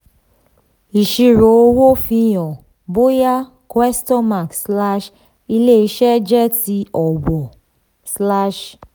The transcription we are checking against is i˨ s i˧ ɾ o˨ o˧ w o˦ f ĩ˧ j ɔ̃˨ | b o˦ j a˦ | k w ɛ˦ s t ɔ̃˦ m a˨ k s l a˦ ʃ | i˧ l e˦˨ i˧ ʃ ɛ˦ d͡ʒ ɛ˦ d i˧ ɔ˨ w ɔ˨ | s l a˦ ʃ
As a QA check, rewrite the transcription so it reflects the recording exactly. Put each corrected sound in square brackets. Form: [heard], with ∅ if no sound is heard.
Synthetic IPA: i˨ [ʃ] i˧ ɾ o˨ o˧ w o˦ f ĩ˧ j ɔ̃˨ | b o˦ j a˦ | k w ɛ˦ s t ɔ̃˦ m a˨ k s l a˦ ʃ | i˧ l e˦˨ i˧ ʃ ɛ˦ d͡ʒ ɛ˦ [t] i˧ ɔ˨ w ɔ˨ | s l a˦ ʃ